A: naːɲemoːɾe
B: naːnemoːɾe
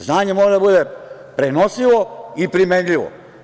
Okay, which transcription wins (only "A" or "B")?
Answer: A